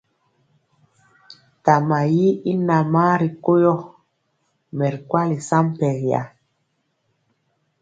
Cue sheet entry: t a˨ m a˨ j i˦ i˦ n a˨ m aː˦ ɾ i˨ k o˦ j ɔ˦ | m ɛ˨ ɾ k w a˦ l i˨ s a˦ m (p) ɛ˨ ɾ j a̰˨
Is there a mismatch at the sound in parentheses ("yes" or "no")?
no